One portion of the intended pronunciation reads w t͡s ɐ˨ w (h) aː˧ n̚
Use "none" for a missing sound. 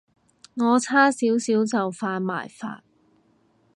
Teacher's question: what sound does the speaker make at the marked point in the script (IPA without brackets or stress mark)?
f